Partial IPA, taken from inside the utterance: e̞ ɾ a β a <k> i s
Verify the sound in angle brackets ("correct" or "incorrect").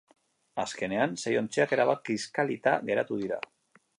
correct